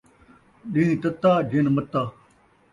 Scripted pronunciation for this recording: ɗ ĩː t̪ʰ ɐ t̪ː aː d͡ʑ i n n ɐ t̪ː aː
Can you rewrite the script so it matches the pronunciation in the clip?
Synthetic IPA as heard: ɗ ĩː t̪ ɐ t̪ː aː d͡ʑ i n m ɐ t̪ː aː